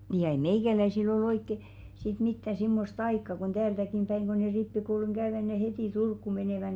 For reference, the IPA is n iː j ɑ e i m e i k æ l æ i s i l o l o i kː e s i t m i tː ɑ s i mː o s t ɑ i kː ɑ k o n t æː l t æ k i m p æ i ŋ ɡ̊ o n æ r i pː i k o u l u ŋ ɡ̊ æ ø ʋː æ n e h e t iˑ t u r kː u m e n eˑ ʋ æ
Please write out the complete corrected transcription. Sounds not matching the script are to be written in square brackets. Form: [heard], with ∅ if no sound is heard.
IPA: n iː j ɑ e i m e i k æ l æ i s i l o l o i kː e s i t m i tː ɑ s i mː o s t ɑ i kː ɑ k o n t æː l t æ k i m p æ i ŋ ɡ̊ o n [e] r i pː i k o u l u ŋ ɡ̊ æ ø [ʋ] æ n e h e t iˑ t u r kː u m e n eˑ ʋ æ